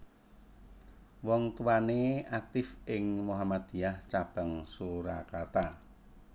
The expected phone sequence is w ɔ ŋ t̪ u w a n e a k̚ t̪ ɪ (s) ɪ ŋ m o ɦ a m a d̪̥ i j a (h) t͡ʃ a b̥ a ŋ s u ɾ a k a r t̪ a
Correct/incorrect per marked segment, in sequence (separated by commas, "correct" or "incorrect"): incorrect, correct